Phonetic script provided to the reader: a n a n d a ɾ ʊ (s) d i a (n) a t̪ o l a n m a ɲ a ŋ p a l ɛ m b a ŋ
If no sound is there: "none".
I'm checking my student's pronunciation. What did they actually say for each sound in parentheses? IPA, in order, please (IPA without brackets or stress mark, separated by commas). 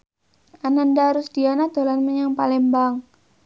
s, n